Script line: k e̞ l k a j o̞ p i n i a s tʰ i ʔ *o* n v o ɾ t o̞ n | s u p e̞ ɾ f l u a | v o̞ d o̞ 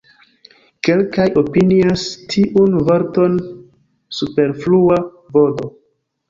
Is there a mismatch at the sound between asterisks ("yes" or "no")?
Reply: yes